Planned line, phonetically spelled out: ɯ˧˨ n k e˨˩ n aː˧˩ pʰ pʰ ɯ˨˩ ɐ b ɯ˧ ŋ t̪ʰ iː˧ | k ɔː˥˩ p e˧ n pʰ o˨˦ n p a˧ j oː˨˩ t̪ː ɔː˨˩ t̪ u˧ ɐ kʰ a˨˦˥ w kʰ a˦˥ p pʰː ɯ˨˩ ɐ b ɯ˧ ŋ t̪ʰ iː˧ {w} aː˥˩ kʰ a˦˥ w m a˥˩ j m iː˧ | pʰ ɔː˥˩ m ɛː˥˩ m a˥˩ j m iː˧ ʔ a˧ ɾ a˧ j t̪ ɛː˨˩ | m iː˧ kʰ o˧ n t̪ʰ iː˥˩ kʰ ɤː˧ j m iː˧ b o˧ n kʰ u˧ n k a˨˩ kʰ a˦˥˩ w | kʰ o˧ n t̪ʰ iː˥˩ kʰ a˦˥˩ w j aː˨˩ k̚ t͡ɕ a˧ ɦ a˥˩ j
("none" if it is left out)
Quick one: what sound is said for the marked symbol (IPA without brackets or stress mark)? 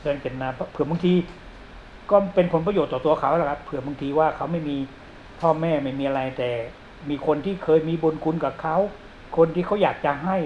w